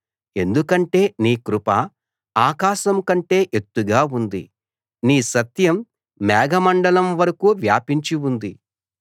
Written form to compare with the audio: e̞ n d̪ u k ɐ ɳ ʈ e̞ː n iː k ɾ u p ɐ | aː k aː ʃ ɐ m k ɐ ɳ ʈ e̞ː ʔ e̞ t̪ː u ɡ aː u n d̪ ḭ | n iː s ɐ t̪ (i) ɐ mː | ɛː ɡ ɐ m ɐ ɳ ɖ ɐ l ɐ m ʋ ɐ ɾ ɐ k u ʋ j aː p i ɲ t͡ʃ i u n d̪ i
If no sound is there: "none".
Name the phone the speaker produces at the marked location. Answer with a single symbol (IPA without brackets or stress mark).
j